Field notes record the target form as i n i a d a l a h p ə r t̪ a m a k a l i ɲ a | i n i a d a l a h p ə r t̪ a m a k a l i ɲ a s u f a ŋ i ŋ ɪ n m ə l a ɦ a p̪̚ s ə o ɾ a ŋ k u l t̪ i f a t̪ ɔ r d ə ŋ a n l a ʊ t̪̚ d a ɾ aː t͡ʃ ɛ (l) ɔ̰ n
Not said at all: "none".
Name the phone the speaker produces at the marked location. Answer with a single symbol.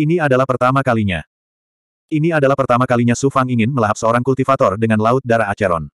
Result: ɾ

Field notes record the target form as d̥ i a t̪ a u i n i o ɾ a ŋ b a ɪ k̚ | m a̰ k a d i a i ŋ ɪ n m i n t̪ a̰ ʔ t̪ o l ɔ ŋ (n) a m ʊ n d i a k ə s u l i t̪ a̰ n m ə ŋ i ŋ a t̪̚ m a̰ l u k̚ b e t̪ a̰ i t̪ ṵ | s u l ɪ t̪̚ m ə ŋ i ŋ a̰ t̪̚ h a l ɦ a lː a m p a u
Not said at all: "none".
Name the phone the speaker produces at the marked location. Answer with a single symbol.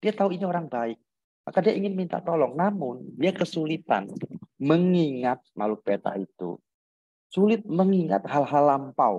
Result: n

